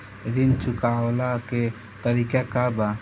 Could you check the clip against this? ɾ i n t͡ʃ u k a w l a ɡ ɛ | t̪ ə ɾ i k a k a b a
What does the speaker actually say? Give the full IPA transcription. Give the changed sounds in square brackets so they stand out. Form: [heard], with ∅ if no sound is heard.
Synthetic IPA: ɾ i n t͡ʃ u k a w l a [k] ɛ | t̪ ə ɾ i k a k a b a